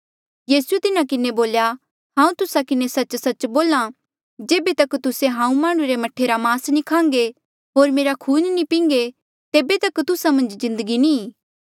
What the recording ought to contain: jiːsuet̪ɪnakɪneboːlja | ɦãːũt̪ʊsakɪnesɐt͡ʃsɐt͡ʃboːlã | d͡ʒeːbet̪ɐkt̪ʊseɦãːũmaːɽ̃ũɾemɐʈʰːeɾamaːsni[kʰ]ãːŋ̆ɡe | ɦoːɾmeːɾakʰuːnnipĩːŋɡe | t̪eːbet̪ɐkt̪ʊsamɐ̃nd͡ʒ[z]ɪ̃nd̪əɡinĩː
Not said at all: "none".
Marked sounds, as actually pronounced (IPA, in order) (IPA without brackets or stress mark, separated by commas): kʰ, z